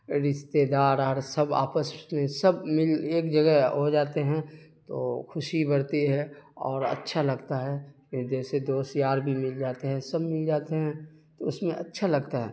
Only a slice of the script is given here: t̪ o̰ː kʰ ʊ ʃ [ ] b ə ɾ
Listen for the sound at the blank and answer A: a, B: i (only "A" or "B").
B